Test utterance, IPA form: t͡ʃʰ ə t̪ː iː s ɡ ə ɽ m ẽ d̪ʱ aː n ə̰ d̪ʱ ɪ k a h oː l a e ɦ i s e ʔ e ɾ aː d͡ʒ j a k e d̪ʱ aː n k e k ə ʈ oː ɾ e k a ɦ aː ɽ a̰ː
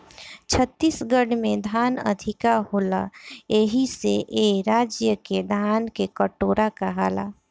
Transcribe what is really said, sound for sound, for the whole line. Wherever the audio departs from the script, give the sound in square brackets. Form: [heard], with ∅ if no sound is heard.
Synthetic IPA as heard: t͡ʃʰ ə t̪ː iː s ɡ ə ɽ m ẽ d̪ʱ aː n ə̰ d̪ʱ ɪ k a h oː l a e ɦ i s e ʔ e ɾ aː d͡ʒ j [ə] k e d̪ʱ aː n k e k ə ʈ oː ɾ [a] k a ɦ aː [l] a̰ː